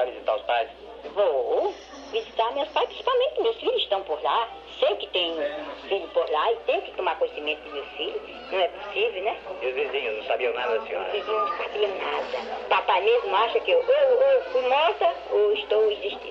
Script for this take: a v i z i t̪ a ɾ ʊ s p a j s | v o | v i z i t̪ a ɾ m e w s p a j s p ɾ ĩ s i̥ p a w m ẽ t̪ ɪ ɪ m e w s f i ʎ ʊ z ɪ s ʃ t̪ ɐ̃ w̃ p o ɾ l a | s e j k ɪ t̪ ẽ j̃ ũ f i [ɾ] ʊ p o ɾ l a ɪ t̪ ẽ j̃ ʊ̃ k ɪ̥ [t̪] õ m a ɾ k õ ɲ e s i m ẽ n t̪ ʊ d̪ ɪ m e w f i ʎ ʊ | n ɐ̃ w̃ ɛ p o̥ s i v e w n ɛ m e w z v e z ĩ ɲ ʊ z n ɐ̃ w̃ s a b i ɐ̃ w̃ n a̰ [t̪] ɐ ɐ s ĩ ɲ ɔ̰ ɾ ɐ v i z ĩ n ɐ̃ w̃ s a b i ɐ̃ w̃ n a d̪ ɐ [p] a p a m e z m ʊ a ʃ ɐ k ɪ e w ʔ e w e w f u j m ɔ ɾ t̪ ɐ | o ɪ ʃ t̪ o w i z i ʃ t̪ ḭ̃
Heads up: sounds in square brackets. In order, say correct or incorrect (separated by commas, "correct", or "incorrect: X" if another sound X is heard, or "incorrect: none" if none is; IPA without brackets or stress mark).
incorrect: ʎ, correct, incorrect: d̪, correct